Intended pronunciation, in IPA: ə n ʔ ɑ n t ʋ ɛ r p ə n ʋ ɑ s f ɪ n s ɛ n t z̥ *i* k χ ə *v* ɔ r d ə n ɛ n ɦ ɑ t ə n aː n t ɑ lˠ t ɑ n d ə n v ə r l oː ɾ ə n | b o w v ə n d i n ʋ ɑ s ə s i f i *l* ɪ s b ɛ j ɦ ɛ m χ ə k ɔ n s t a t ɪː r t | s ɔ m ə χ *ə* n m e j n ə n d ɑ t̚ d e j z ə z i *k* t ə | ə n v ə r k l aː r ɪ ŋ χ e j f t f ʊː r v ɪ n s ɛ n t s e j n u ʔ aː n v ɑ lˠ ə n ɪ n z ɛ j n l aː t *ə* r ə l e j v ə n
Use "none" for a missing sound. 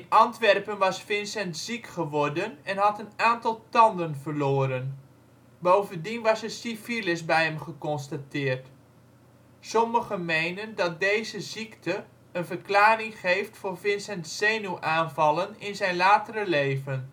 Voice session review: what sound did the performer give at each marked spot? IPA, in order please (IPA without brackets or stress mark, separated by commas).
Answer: i, ʋ, l, ə, k, ə